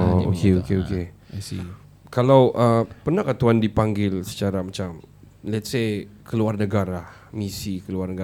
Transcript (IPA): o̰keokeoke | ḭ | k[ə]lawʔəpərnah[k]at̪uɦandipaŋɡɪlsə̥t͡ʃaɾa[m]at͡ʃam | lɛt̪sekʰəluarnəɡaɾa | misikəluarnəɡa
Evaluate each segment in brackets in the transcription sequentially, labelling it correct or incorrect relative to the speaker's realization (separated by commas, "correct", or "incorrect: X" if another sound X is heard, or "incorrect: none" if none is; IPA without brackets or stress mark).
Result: incorrect: a, correct, correct